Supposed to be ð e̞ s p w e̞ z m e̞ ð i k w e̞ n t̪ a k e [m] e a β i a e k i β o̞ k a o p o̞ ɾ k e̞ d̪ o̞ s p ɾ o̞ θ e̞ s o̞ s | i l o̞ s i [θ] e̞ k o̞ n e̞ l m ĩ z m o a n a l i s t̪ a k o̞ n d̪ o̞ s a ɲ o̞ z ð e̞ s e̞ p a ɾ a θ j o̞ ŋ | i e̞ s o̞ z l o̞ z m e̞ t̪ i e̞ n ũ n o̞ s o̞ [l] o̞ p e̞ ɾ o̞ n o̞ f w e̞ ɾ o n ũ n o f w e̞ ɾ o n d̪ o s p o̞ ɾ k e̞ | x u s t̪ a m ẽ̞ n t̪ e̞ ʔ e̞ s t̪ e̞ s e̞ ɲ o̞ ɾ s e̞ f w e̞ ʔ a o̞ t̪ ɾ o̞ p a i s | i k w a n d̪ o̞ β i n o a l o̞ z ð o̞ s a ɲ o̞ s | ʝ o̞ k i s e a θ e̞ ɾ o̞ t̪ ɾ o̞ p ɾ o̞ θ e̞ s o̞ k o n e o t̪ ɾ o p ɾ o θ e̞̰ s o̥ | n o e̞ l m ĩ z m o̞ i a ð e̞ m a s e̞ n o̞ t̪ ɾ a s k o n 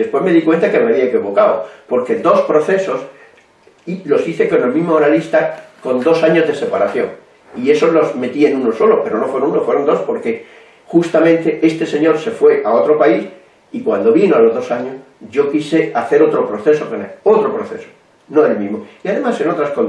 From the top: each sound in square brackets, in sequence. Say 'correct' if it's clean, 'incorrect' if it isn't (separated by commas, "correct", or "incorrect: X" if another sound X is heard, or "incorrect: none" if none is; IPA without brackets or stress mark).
correct, correct, correct